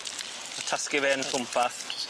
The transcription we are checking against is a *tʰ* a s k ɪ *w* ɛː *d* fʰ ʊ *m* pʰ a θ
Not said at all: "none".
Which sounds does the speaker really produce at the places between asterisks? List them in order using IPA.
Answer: tʰ, v, n, m

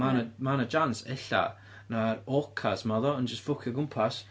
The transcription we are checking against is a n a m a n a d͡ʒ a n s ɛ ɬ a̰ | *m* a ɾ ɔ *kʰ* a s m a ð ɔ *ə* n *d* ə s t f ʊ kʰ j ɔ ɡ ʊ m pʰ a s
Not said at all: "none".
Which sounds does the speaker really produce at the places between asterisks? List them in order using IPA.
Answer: n, kʰ, ə, d͡ʒ

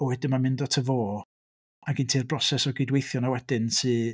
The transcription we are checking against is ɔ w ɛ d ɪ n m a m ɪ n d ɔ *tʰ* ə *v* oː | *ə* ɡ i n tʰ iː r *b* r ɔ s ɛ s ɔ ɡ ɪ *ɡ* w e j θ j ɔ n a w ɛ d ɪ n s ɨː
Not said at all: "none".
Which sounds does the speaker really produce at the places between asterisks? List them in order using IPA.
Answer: tʰ, v, a, b, d

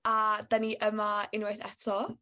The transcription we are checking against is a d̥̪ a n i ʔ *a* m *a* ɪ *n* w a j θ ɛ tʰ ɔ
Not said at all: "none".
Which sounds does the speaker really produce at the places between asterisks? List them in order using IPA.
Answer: ə, a, n

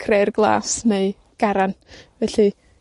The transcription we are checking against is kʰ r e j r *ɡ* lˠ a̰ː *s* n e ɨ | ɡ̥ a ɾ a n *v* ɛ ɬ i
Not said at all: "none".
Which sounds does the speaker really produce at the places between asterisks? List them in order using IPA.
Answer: ɡ, s, v

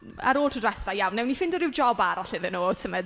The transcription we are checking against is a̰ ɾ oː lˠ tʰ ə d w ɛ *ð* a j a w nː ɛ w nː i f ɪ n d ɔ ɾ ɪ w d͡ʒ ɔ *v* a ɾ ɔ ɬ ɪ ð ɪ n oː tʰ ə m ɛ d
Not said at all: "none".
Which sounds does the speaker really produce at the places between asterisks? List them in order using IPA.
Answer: θ, b

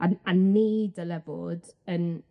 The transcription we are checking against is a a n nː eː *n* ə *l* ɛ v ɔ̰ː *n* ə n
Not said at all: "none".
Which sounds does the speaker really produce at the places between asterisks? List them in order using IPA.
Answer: d, l, d

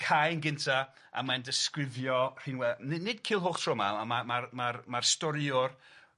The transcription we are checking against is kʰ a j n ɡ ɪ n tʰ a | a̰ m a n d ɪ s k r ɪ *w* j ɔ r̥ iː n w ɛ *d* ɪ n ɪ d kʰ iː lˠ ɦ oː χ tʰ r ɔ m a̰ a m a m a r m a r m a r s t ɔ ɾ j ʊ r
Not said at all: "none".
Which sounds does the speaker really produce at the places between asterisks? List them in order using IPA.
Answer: v, n

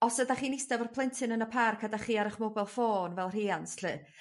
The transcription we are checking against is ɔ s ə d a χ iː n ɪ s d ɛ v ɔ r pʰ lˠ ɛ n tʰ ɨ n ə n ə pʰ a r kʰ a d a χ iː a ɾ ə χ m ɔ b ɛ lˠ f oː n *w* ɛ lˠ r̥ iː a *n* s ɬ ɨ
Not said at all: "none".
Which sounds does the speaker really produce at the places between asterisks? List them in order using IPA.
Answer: v, n

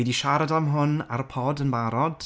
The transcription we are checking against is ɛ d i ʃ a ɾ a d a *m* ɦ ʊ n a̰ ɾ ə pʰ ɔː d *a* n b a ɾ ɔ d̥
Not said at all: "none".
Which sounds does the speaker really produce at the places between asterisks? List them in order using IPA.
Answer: m, ə

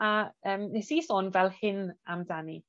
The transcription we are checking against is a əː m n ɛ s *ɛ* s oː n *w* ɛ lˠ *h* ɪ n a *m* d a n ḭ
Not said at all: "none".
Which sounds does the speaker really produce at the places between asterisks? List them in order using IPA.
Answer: i, v, h, m

